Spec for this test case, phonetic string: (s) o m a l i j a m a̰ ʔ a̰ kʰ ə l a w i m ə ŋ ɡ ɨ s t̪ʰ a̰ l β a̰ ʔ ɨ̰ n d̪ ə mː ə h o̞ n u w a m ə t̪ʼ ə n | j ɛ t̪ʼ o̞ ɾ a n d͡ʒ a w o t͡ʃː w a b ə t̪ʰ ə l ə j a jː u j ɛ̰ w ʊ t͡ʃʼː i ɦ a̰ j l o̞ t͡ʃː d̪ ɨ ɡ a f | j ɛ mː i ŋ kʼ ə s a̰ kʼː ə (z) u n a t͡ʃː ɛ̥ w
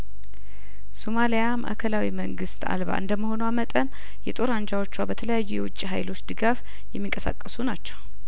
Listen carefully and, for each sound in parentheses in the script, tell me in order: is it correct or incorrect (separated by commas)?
correct, incorrect